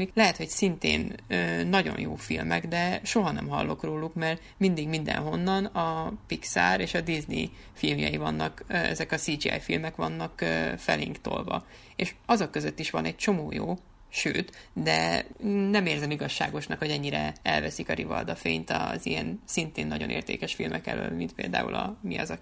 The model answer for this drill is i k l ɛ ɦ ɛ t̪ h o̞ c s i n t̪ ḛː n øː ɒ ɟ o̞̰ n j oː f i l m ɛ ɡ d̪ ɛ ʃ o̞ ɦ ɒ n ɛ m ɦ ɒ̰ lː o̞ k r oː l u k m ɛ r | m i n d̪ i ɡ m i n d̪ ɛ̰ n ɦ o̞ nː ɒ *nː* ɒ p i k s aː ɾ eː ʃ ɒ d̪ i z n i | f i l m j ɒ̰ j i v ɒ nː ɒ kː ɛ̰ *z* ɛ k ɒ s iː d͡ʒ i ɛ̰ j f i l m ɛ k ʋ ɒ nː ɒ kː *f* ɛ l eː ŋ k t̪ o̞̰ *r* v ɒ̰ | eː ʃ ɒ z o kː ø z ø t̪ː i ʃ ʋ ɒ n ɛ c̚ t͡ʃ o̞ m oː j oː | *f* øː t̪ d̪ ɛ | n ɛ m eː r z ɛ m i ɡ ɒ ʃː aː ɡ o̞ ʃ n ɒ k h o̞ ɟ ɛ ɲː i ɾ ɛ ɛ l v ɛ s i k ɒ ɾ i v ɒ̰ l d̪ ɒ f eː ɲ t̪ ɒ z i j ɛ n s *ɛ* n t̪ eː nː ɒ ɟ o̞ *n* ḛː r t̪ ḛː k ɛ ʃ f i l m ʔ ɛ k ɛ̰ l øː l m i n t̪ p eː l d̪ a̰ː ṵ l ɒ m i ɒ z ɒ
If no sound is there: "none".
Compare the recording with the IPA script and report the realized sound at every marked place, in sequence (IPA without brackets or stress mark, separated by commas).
n, z, f, l, ʃ, i, n